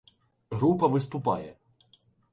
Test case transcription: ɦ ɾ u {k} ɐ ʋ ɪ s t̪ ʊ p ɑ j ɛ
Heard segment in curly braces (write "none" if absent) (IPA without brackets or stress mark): p